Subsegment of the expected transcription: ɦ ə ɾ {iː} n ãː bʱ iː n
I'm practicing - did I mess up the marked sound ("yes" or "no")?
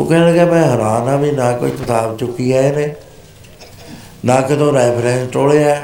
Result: yes